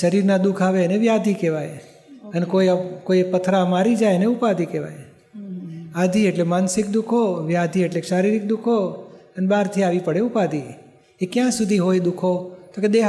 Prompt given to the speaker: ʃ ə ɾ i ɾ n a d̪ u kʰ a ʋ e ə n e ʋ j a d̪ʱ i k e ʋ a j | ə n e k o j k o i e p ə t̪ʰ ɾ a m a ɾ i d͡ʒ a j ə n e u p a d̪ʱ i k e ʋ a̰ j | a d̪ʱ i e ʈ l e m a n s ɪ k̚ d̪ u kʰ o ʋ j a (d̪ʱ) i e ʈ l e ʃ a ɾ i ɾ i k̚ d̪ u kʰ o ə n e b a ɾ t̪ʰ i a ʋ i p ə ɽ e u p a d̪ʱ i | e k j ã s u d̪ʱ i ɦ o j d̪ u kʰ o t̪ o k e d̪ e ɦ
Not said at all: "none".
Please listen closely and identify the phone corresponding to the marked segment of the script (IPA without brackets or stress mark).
d̪ʱ